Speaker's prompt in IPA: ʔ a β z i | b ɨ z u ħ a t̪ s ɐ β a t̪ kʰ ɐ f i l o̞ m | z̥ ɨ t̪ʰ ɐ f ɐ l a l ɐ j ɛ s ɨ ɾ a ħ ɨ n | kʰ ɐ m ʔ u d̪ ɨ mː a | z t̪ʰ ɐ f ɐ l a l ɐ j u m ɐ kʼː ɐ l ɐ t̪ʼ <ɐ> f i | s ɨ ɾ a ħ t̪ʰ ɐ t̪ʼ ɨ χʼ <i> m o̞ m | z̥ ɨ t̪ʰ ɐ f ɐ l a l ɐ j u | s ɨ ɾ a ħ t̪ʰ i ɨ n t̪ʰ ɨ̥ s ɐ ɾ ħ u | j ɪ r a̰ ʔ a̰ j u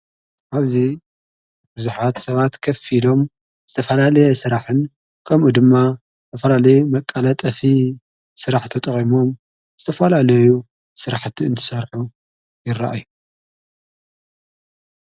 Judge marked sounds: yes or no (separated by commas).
yes, yes